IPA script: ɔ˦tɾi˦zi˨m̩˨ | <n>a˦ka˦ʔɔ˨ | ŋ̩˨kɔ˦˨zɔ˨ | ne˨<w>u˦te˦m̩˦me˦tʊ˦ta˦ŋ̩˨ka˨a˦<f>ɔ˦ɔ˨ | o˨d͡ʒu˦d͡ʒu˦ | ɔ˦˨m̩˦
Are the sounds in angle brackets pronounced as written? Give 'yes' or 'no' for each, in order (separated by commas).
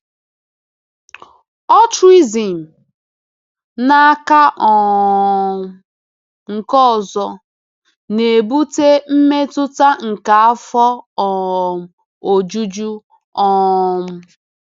yes, no, yes